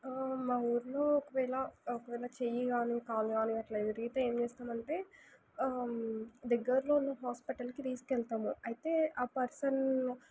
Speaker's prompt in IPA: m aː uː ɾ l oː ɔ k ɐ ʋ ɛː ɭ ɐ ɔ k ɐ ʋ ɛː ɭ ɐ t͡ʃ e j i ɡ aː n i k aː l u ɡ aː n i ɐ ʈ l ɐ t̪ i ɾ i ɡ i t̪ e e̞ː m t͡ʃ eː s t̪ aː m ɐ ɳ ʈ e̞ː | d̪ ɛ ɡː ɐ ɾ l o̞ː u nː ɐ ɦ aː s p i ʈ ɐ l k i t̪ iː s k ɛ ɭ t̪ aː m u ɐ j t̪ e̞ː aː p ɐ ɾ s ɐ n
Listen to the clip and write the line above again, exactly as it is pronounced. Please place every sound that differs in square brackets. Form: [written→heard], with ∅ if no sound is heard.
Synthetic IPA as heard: m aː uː ɾ l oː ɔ k ɐ ʋ ɛː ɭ ɐ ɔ k ɐ ʋ ɛː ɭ ɐ t͡ʃ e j i ɡ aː n i k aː l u ɡ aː n i ɐ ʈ l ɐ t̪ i ɾ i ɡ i t̪ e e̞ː m t͡ʃ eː s t̪ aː m ɐ ɳ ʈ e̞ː | d̪ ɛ ɡː ɐ ɾ l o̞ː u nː ɐ ɦ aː s p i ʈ ɐ l k i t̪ iː s k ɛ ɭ t̪ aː m u ɐ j t̪ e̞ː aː p ɐ ɾ s ɐ n